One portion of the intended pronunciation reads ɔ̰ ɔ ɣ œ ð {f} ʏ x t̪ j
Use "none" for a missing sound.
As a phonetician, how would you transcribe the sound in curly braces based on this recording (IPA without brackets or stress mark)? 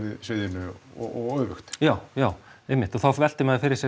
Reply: v